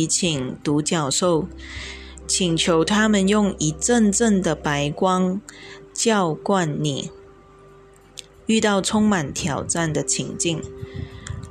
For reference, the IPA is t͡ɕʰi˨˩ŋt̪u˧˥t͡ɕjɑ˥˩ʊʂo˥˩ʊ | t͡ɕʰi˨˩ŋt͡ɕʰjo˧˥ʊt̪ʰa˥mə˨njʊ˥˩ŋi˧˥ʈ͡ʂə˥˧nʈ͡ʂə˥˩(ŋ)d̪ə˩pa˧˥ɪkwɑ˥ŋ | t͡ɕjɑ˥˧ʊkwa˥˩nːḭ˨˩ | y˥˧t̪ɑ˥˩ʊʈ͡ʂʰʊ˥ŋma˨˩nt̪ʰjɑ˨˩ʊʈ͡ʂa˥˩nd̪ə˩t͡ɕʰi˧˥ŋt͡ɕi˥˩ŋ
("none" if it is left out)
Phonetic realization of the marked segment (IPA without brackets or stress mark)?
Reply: ŋ